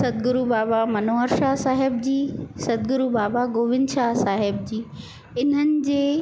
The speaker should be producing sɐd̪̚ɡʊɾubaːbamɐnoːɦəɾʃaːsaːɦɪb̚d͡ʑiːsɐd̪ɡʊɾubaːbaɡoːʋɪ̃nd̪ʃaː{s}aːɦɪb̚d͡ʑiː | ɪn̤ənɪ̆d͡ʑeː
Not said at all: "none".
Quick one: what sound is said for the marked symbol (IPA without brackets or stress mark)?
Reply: s